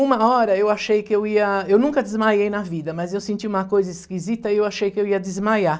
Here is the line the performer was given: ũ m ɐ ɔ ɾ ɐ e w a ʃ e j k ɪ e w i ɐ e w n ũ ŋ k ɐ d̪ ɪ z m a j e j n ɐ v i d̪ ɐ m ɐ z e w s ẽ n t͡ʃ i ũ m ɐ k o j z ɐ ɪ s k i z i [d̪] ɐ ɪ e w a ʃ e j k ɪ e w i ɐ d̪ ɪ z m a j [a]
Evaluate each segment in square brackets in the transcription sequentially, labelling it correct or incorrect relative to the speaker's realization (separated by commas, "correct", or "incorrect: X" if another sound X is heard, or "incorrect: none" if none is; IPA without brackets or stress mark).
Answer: incorrect: t̪, correct